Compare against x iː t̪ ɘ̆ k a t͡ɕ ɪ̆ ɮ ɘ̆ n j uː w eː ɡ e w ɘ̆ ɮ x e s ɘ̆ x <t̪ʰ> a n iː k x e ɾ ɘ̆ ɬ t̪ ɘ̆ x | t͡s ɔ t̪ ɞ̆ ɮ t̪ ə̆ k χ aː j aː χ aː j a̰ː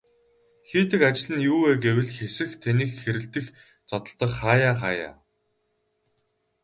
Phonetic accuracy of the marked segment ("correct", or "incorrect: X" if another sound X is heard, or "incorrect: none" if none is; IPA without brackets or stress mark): correct